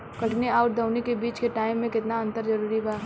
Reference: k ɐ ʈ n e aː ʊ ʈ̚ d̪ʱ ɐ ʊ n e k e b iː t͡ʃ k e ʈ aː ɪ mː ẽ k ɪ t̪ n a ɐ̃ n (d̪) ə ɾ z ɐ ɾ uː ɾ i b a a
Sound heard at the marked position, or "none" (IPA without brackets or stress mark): t̪